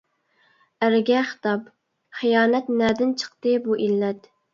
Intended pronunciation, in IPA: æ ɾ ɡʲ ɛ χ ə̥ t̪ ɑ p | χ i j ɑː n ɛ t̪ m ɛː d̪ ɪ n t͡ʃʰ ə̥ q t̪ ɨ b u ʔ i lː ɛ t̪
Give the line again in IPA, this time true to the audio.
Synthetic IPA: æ ɾ ɡʲ ɛ χ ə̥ t̪ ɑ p | χ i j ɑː n ɛ t̪ n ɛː d̪ ɪ n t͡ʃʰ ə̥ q t̪ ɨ b u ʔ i lː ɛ t̪